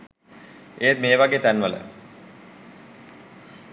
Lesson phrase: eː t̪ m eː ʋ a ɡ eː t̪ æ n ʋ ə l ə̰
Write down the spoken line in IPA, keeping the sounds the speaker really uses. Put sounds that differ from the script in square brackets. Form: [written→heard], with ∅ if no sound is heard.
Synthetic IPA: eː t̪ m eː ʋ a ɡ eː t̪ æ n ʋ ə l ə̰

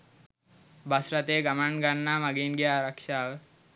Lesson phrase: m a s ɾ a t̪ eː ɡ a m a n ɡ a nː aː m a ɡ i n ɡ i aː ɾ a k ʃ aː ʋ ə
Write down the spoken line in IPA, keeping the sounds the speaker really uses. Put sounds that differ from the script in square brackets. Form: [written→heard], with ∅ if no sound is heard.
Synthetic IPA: [m→b] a s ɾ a t̪ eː ɡ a m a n ɡ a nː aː m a ɡ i n ɡ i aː ɾ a k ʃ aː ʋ ə

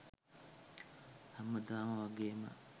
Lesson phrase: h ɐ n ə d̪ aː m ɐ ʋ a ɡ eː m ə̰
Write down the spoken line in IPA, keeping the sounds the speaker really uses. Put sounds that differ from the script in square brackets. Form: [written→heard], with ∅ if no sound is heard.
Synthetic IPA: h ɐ [n→m] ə d̪ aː m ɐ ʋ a ɡ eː m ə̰

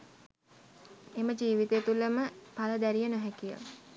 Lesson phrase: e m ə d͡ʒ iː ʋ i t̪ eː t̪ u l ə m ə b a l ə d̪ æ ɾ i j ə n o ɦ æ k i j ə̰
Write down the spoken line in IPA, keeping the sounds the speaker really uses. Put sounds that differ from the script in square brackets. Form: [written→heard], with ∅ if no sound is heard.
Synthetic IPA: e m ə d͡ʒ iː ʋ i t̪ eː t̪ u l ə m ə [b→p] a l ə d̪ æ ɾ i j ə n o ɦ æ k i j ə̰

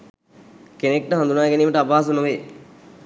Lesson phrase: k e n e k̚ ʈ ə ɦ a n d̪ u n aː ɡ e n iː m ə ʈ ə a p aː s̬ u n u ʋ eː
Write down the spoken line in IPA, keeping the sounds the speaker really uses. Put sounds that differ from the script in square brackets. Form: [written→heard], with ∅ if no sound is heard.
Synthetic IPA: k e n e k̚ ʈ ə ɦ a n d̪ u n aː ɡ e n iː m ə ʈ ə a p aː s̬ u n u ʋ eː

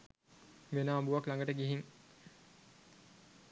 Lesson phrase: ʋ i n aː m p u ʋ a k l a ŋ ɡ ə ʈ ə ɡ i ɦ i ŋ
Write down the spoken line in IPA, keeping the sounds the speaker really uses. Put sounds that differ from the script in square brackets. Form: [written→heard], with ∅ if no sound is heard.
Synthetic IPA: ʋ [i→e] n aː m [p→b] u ʋ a k l a ŋ ɡ ə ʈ ə ɡ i ɦ i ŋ

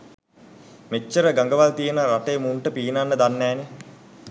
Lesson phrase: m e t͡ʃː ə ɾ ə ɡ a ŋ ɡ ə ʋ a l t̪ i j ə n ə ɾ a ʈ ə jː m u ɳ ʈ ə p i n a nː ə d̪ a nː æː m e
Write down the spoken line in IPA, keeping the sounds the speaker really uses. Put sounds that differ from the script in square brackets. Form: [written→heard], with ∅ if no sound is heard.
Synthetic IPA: m e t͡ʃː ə ɾ ə ɡ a ŋ ɡ ə ʋ a l t̪ i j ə n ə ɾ a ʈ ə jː m u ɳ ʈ ə p [i→iː] n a nː ə d̪ a nː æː [m→n] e

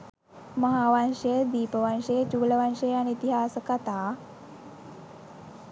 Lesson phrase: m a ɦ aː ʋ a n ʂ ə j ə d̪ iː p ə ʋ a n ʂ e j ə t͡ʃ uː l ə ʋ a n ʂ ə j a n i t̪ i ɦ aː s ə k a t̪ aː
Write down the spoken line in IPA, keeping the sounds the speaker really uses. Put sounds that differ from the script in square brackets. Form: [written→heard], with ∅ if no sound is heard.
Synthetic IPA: m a ɦ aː ʋ a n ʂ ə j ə d̪ iː p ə ʋ a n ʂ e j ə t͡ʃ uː l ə ʋ a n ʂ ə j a n i t̪ i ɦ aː s ə k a t̪ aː

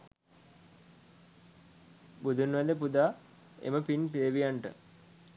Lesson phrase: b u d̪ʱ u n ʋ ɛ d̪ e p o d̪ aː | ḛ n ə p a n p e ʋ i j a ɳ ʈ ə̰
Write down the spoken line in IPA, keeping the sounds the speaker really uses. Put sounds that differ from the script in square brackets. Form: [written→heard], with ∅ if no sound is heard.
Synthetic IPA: b u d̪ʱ u n ʋ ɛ d̪ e p [o→u] d̪ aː | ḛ [n→m] ə p [a→i] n p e ʋ i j a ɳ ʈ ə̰

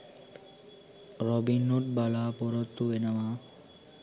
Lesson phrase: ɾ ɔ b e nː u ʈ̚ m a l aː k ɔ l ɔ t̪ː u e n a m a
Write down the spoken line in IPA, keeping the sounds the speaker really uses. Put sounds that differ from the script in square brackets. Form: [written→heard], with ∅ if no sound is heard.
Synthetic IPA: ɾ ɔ b [e→i] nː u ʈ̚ [m→b] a l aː [k→p] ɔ [l→ɾ] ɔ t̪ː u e n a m a

